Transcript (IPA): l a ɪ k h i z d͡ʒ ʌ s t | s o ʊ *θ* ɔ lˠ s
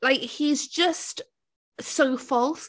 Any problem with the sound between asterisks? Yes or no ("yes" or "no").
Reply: yes